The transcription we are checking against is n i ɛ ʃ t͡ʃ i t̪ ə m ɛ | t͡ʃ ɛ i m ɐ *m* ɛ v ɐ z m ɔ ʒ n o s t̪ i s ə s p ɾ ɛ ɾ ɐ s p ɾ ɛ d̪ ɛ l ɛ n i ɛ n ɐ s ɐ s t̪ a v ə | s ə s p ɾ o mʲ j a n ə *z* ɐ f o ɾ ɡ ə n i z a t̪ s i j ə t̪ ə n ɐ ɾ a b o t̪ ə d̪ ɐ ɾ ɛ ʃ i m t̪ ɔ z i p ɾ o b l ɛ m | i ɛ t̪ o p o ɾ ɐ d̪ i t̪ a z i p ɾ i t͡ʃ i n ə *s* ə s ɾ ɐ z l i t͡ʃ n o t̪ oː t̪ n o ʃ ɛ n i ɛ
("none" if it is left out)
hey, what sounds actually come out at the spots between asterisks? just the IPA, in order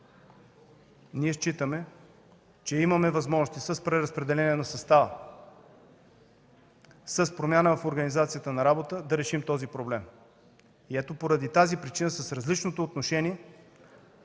m, v, s

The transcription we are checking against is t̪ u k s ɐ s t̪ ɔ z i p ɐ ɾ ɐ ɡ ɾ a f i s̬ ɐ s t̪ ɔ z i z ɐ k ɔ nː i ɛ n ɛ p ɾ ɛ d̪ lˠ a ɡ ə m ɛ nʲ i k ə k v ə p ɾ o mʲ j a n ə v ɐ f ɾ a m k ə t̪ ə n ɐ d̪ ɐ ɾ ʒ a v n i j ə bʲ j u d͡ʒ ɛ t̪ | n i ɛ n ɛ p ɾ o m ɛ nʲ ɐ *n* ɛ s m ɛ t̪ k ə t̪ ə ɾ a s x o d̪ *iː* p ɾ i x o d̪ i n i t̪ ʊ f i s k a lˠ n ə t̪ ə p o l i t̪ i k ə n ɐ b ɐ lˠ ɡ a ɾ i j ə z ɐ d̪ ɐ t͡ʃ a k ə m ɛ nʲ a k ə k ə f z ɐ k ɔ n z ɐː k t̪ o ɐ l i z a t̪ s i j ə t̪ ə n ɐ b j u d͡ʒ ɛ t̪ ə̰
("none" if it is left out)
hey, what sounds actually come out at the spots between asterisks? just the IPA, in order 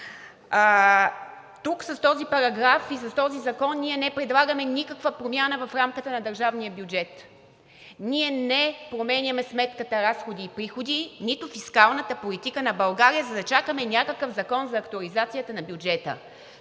m, iː

